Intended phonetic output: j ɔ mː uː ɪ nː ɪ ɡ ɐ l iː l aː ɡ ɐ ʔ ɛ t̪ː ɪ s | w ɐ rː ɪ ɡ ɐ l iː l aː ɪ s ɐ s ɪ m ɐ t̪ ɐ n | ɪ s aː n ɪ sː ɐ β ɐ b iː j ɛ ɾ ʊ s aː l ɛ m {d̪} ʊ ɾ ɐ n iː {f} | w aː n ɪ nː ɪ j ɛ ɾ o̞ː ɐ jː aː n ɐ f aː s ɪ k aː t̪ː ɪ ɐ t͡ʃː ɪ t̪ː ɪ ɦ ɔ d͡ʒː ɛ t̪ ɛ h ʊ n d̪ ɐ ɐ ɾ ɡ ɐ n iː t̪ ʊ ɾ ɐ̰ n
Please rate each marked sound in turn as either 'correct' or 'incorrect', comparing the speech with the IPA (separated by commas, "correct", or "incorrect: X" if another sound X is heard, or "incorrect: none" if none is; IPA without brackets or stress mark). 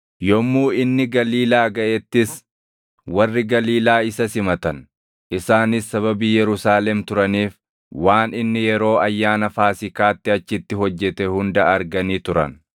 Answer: incorrect: t̪, correct